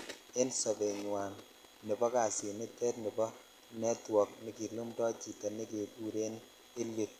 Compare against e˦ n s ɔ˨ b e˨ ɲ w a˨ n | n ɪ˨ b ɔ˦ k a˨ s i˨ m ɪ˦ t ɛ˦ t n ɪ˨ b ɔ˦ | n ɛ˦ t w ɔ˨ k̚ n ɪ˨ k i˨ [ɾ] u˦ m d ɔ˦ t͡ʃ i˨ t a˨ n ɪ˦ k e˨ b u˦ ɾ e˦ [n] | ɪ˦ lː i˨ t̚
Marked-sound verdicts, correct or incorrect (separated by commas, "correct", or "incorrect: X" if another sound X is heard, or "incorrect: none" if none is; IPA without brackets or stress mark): incorrect: l, correct